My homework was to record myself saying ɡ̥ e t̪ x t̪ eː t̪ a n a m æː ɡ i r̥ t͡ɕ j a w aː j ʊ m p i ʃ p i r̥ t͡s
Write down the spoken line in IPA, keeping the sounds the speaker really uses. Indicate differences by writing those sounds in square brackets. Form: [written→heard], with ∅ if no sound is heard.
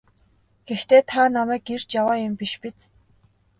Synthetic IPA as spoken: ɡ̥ e [t̪→∅] x t̪ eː [t̪→t̪ʰ] a n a m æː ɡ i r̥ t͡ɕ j a w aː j ʊ m p i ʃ p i [r̥→∅] t͡s